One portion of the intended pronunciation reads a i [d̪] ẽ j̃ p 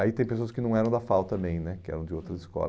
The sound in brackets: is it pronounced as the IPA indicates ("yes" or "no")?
no